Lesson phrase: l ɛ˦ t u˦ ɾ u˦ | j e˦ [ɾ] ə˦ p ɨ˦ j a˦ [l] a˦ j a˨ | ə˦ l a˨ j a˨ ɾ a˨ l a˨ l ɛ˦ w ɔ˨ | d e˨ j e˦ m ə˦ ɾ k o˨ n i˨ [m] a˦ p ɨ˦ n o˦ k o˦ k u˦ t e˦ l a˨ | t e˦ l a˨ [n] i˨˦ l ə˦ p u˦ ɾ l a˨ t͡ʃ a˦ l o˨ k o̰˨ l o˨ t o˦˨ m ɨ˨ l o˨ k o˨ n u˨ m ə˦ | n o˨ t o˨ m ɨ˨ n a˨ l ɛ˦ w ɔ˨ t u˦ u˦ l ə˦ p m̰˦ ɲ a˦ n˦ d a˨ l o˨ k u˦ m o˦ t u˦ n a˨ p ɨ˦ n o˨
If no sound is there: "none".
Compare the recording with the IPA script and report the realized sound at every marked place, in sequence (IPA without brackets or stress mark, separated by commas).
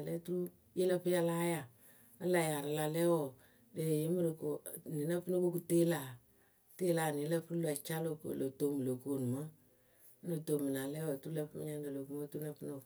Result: l, l, n, n